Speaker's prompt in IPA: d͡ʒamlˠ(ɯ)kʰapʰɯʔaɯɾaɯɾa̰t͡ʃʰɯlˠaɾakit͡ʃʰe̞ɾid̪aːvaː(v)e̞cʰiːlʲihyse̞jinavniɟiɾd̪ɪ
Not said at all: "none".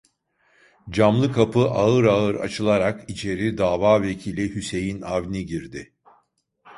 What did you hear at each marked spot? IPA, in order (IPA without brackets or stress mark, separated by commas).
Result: ɯ, v